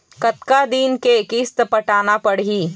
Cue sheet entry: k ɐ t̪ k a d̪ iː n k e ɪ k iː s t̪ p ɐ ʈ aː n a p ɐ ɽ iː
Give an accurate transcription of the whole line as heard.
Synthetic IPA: k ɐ t̪ k a d̪ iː n k e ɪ k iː s t̪ p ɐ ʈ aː n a p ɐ ɽ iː